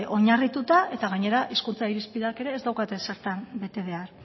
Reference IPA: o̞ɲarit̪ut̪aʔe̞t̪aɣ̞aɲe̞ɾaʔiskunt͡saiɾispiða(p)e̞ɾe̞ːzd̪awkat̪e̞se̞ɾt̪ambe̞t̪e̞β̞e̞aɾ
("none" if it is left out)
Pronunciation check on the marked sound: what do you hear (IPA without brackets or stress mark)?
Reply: k